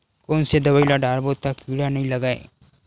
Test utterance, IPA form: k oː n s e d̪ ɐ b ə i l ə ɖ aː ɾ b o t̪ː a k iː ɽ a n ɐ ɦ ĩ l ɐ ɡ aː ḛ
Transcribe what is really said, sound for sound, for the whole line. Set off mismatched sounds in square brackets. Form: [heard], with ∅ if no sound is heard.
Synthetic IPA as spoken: k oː n s e d̪ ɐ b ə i l [a] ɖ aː ɾ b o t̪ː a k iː ɽ a n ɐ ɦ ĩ l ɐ ɡ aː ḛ